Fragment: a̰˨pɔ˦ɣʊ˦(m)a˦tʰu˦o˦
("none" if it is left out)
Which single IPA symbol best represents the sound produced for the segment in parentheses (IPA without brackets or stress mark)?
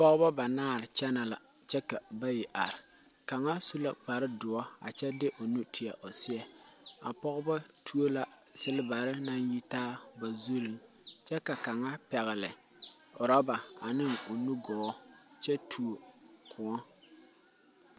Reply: b